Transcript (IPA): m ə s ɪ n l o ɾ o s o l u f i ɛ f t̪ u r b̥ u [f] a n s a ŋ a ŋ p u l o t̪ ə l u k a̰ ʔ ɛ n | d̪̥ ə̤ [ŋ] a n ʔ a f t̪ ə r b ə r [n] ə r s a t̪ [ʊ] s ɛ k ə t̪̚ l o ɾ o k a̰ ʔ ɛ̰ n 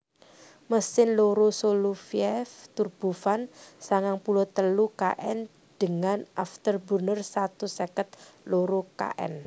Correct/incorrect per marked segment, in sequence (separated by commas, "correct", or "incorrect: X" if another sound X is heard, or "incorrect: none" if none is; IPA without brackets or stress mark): correct, correct, correct, incorrect: u